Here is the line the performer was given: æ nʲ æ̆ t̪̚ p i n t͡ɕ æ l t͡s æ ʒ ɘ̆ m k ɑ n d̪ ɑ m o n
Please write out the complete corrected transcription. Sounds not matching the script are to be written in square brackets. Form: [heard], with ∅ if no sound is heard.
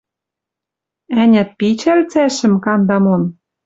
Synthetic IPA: æ nʲ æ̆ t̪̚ p i [∅] t͡ɕ æ l t͡s æ [ʃ] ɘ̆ m k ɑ n d̪ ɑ m o n